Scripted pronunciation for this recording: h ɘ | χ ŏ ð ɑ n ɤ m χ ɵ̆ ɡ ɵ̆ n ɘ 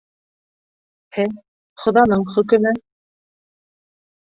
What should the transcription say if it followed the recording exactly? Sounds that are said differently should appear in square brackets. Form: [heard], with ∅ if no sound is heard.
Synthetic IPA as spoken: h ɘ | χ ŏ ð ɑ n ɤ [ɴ] χ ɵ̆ [k] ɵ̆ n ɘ